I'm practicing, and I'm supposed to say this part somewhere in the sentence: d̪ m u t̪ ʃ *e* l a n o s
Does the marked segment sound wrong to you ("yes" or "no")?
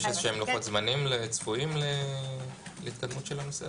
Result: no